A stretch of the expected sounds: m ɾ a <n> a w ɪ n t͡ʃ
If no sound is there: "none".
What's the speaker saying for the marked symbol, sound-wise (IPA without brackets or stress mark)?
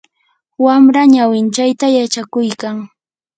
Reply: ɲ